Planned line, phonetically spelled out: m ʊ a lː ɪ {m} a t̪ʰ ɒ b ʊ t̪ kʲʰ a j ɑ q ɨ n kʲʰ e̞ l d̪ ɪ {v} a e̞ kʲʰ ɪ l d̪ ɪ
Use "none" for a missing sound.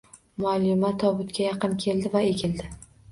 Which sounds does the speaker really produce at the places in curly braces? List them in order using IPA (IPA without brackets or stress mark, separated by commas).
m, v